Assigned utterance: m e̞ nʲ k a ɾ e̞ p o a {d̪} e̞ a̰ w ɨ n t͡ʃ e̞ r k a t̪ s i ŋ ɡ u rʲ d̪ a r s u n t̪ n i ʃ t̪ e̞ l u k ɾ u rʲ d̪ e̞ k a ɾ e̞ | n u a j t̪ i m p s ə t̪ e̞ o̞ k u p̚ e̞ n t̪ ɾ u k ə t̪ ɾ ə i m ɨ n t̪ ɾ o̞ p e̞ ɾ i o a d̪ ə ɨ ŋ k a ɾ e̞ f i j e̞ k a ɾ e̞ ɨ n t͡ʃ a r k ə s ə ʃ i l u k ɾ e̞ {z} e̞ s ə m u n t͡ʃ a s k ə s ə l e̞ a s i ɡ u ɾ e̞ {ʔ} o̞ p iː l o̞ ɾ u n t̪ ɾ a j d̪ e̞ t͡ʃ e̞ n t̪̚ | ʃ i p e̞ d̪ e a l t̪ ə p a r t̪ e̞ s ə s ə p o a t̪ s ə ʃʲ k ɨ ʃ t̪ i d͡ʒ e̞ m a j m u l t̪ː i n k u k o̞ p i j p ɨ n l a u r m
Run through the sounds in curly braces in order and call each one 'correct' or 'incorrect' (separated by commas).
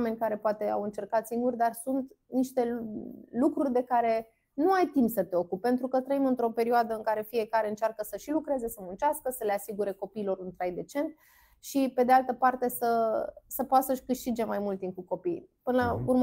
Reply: incorrect, correct, incorrect